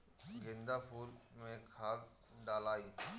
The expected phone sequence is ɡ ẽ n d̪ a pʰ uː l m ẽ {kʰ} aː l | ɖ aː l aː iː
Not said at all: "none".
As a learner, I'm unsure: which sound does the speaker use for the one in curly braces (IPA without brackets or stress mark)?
kʰ